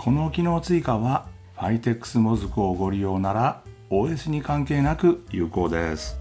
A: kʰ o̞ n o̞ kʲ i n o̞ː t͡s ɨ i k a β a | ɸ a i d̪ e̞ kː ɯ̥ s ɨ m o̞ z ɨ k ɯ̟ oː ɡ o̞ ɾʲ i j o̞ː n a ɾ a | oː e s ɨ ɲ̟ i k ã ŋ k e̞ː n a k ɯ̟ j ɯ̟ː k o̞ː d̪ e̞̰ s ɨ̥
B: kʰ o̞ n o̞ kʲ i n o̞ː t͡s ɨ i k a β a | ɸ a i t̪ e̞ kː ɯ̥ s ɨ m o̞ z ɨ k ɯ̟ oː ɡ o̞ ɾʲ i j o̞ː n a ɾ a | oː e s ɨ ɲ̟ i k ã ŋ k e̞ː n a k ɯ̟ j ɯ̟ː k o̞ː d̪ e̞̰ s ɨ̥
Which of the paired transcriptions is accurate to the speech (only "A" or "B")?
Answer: B